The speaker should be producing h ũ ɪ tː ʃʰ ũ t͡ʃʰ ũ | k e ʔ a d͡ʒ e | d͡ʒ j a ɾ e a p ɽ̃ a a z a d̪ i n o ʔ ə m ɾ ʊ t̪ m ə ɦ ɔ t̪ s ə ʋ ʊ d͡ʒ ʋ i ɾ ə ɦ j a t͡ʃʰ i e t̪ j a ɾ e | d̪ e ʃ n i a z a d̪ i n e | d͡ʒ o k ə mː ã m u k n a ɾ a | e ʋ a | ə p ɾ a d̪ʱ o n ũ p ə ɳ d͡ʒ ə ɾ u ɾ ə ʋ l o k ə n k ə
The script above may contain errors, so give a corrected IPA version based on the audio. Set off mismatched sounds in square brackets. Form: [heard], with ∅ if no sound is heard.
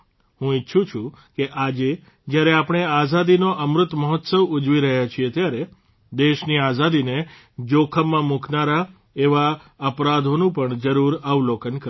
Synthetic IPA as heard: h ũ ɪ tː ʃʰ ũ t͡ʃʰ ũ | k e ʔ a d͡ʒ e | d͡ʒ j a ɾ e a p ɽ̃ [e] a z a d̪ i n o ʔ ə m ɾ ʊ t̪ m ə ɦ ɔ t̪ s ə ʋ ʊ d͡ʒ ʋ i ɾ ə ɦ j a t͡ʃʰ i e t̪ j a ɾ e | d̪ e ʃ n i a z a d̪ i n e | d͡ʒ o [kʰ] ə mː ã m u k n a ɾ a | e ʋ a | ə p ɾ a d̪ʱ o n ũ p ə ɳ d͡ʒ ə ɾ u ɾ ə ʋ l o k ə n k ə

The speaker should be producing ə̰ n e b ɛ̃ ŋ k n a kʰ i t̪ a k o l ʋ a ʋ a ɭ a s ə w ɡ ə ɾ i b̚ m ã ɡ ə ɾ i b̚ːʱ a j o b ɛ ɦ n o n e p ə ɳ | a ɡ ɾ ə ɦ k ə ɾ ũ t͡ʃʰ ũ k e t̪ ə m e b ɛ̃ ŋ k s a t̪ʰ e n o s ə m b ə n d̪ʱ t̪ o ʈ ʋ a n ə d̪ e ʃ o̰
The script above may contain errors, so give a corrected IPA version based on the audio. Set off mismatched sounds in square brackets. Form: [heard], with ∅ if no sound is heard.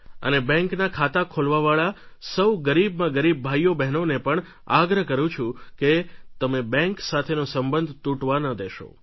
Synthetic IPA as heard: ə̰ n e b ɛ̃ ŋ k n a kʰ [a] t̪ a [kʰ] o l ʋ a ʋ a ɭ a s ə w ɡ ə ɾ i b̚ m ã ɡ ə ɾ i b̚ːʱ a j o b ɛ ɦ n o n e p ə ɳ | a ɡ ɾ ə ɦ k ə ɾ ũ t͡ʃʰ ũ k e t̪ ə m e b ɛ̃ ŋ k s a t̪ʰ e n o s ə m b ə n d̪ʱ t̪ [u] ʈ ʋ a n ə d̪ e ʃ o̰

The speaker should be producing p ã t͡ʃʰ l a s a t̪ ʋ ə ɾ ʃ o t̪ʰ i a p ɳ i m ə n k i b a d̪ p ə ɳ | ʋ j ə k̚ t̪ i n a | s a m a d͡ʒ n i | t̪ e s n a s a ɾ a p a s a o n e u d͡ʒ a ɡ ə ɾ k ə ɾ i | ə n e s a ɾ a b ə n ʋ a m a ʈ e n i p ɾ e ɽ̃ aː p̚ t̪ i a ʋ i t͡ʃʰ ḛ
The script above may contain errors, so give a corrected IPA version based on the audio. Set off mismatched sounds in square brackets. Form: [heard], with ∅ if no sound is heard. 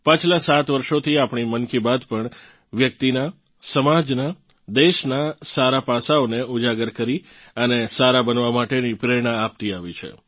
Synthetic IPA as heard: p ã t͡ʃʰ l a s a t̪ ʋ ə ɾ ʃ o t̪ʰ i a p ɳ i m ə n k i b a d̪ p ə ɳ | ʋ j ə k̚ t̪ i n a | s [ə] m a d͡ʒ n [a] | [d̪] e [ʃ] n a s a ɾ a p a s a o n e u d͡ʒ a ɡ ə ɾ k ə ɾ i | ə n e s a ɾ a b ə n ʋ a m a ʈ e n i p ɾ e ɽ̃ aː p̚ t̪ i a ʋ i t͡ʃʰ ḛ

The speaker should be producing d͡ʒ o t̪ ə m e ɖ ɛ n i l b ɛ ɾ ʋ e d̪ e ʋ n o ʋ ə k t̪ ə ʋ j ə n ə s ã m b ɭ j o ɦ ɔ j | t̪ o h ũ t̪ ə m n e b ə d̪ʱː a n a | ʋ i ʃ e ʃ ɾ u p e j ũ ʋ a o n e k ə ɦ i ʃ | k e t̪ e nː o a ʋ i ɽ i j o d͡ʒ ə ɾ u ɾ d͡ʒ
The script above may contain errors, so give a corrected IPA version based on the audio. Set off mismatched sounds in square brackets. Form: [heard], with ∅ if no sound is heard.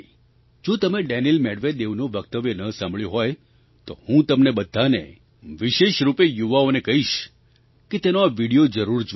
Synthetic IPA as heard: d͡ʒ o t̪ ə m e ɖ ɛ n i l [m] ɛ [ɽ] ʋ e d̪ e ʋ n o ʋ ə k t̪ ə ʋ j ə n ə s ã m b ɭ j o ɦ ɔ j | t̪ o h ũ t̪ ə m n e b ə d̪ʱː a n [e] | ʋ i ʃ e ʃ ɾ u p e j [u] ʋ a o n e k ə ɦ i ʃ | k e t̪ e [n] o a ʋ i ɽ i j o d͡ʒ ə ɾ u ɾ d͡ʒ

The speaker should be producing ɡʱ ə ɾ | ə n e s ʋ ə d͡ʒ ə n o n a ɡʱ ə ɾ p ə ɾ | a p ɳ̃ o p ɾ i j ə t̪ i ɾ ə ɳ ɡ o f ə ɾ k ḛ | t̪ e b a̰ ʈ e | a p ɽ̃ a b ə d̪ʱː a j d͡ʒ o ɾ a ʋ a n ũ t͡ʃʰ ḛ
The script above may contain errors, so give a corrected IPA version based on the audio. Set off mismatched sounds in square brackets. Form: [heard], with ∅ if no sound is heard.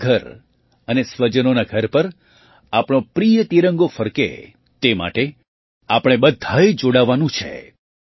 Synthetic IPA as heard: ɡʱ ə ɾ | ə n e s ʋ ə d͡ʒ ə n o n a ɡʱ ə ɾ p ə ɾ | a p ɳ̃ o p ɾ i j ə t̪ i ɾ ə [ŋ] ɡ o f ə ɾ k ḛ | t̪ e [m] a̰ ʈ e | a p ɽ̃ [e] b ə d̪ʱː a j d͡ʒ o [ɽ] a ʋ a n ũ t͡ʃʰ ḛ

